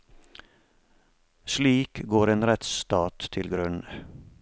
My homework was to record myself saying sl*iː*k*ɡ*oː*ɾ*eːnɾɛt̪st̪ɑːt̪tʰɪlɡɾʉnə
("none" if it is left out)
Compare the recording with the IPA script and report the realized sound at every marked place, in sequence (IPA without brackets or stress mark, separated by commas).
iː, ɡ, ɾ